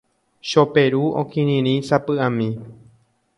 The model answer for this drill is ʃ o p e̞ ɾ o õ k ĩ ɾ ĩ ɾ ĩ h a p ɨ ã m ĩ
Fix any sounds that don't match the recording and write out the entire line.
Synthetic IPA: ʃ o p e̞ ɾ u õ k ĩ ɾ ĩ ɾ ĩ s a p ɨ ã m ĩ